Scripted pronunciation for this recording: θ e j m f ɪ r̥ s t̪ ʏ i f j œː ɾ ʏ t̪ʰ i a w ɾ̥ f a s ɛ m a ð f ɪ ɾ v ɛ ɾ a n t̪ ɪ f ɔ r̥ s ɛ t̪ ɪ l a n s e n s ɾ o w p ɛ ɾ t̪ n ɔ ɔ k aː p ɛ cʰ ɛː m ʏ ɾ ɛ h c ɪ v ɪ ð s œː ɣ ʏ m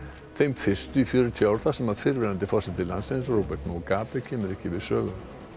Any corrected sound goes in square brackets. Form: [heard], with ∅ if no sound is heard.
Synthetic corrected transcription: θ e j m f ɪ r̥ s t̪ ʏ i f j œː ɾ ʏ t̪ʰ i a w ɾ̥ [θ] a s ɛ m a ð f ɪ ɾ v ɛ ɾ a n t̪ ɪ f ɔ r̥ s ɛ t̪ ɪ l a n s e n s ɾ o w p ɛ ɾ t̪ n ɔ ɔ k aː p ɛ cʰ ɛː m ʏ ɾ ɛ h c ɪ v ɪ ð s œː ɣ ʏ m

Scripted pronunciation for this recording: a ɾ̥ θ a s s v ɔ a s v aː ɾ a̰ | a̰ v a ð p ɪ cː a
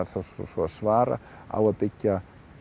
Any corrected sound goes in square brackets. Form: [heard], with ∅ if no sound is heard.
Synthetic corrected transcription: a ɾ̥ θ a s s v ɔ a s v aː ɾ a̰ | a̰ [w] a ð p ɪ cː a

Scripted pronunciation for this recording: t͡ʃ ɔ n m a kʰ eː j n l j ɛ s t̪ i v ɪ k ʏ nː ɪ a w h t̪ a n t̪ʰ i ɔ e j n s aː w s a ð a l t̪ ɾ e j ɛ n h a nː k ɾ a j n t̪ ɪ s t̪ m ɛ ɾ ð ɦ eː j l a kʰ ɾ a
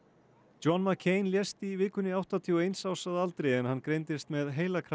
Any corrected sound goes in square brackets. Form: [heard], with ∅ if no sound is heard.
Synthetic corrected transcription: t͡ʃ ɔ n m a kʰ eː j n l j ɛ s t̪ i v ɪ k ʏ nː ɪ a w h t̪ a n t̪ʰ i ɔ e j n s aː w s a ð a l t̪ ɾ e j ɛ n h a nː k ɾ [e] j n t̪ ɪ s t̪ m ɛ [∅] ð ɦ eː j l a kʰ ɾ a

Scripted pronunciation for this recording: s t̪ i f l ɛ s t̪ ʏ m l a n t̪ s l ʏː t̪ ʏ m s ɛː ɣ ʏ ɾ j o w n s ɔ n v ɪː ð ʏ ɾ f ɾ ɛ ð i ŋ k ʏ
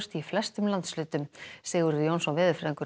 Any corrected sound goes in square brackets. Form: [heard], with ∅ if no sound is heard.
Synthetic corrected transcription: s t̪ i f l ɛ s t̪ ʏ m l a n t̪ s l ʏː t̪ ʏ m s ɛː ɣ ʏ ɾ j o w n s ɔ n v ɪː ð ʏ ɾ f ɾ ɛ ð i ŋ k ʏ

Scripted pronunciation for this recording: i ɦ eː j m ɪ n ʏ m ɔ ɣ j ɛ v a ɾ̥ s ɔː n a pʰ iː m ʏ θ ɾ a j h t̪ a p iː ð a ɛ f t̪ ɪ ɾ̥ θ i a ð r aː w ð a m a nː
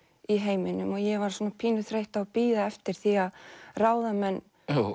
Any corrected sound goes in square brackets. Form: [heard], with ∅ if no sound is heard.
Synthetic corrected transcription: i ɦ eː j m ɪ n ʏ m ɔ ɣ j ɛ v a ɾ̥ s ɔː n a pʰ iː [n] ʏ θ ɾ [e] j h t̪ a p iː ð a ɛ f t̪ ɪ ɾ̥ θ i a ð r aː w ð a m [ɛ] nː

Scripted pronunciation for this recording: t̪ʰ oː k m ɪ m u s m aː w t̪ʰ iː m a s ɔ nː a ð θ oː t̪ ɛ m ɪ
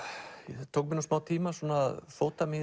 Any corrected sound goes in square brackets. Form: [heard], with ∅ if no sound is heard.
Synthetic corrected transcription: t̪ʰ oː k m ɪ [n] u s m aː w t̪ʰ iː m a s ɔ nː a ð [f] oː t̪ [a] m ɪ

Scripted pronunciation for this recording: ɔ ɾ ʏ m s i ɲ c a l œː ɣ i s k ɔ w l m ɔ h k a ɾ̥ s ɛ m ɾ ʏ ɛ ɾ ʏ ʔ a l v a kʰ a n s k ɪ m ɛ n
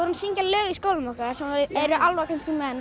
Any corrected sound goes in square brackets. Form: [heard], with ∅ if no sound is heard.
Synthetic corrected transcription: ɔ ɾ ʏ [n] s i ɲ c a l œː ɣ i s k [o] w l m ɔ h k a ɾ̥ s ɛ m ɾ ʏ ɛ ɾ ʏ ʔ a l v a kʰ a n s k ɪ m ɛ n

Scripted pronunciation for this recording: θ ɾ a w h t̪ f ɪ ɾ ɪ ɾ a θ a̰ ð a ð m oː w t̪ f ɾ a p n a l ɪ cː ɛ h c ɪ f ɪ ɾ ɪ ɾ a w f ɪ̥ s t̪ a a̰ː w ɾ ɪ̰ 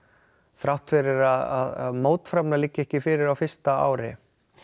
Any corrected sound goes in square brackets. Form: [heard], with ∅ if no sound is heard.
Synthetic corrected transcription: θ ɾ a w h t̪ f ɪ ɾ ɪ ɾ a [ð] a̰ ð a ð m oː w t̪ f ɾ a p n a l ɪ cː ɛ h c ɪ f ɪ ɾ ɪ ɾ a w f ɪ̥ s t̪ a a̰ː w ɾ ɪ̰

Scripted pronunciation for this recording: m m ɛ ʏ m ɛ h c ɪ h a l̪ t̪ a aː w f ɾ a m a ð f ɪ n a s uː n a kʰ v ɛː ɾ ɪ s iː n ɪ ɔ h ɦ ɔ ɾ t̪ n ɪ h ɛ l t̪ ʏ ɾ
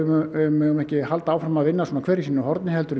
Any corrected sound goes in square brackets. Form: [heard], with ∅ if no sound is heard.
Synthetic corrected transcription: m m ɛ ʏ m ɛ h c ɪ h a l̪ t̪ a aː w f ɾ a m a ð [v] ɪ [nː] a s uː n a kʰ v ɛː ɾ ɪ s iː n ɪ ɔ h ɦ ɔ ɾ t̪ n ɪ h ɛ l t̪ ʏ ɾ

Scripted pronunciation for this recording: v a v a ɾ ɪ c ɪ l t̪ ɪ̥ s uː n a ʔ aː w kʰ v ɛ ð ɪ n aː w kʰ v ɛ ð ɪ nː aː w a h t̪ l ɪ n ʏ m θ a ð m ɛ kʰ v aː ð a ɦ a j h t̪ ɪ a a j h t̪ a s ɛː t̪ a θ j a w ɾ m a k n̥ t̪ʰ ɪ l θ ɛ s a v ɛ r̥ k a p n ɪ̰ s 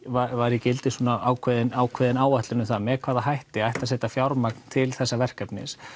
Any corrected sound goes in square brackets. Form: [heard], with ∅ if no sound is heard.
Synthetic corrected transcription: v a v a ɾ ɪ c ɪ l t̪ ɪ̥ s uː n a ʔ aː w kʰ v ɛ ð ɪ n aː w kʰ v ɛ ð ɪ [n] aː w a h t̪ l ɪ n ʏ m θ a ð m ɛ kʰ v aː ð a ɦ a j h t̪ ɪ a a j h t̪ a s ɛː t̪ a [f] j a w ɾ m a k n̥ t̪ʰ ɪ l θ ɛ [sː] a v ɛ r̥ k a p n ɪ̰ s

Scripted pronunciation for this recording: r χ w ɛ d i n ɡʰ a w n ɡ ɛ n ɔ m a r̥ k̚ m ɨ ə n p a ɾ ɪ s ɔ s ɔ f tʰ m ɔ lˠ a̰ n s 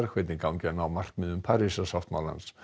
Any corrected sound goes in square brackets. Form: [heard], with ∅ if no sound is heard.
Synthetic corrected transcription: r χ w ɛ d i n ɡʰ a w n ɡ ɛ n ɔ m a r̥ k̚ m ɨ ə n [pʰ] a ɾ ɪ s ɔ s ɔ f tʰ m ɔ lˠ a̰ n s

